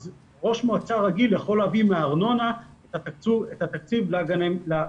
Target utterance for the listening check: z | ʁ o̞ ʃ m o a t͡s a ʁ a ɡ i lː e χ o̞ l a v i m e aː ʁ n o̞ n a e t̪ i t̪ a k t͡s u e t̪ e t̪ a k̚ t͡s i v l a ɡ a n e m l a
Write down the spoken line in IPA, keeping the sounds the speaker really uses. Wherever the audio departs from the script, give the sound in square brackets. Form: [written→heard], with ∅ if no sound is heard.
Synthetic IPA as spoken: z | ʁ o̞ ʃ m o a t͡s a ʁ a ɡ i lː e χ o̞ l a v i m e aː ʁ n o̞ n a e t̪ [i→a] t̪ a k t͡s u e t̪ [e→a] t̪ a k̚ t͡s i v l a ɡ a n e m l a